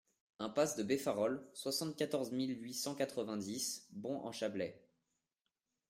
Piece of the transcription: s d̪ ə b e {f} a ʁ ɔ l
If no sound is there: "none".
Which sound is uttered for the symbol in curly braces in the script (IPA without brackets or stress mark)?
f